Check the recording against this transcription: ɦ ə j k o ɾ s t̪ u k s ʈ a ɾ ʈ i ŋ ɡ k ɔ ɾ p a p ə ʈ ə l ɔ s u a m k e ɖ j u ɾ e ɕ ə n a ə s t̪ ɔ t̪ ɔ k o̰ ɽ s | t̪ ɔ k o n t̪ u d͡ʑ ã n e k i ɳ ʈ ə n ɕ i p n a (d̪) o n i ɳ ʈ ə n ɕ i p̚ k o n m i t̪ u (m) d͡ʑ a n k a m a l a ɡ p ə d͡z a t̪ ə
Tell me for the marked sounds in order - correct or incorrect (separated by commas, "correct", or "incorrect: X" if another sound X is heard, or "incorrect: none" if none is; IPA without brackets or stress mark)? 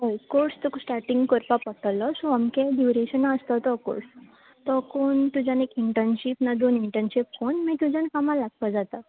correct, incorrect: none